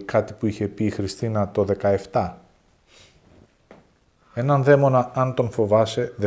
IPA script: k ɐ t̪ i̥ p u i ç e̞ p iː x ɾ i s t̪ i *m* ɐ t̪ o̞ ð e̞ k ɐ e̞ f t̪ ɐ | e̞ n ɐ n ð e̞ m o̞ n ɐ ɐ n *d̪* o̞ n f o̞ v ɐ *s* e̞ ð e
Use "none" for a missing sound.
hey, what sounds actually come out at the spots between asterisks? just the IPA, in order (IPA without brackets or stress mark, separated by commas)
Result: n, t̪, s